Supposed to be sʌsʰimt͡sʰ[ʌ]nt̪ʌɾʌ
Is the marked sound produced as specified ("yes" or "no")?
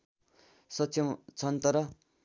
yes